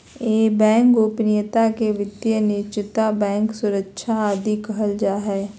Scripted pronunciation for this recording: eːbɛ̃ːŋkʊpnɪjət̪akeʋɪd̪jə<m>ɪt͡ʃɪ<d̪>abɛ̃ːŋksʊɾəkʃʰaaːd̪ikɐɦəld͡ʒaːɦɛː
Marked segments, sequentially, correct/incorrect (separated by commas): incorrect, incorrect